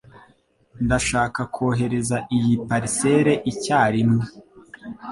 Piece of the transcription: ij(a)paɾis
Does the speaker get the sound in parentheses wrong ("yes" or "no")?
yes